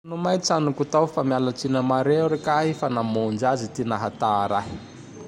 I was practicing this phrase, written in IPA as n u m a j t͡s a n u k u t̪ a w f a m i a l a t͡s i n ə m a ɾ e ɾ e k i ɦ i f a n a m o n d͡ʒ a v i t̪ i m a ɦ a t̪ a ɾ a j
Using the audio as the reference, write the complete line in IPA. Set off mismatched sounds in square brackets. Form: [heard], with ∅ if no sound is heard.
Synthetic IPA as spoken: n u m a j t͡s a n u k u t̪ a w f a m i a l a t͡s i n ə m a ɾ e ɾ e k [a] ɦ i f a n a m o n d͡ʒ a [z] i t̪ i [n] a ɦ a t̪ a ɾ a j